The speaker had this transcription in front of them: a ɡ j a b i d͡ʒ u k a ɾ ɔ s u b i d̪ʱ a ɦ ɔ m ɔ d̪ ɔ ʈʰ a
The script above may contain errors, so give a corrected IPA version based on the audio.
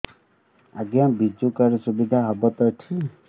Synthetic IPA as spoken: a ɡ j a b i d͡ʒ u k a ɾ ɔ s u b i d̪ʱ a ɦ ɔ b ɔ t̪ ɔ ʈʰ i